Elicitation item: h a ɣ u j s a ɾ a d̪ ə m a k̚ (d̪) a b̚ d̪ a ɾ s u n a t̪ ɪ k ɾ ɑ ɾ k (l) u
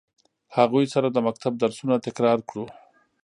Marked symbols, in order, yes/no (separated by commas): no, no